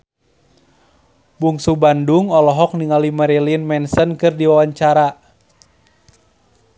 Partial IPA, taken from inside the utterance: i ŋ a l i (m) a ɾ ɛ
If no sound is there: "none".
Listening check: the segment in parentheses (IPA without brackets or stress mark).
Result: m